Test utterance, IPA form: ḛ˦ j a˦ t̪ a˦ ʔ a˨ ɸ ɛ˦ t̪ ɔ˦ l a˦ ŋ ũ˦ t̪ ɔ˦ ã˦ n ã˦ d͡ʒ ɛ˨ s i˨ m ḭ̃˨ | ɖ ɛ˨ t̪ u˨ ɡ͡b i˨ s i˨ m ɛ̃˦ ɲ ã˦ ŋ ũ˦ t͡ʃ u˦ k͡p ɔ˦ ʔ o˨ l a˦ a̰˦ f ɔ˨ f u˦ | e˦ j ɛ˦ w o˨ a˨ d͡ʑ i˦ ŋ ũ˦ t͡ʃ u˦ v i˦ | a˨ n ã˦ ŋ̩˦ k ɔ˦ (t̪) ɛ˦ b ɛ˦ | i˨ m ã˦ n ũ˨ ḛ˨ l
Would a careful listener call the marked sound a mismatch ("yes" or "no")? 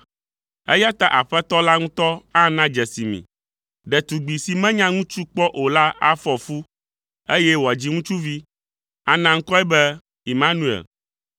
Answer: yes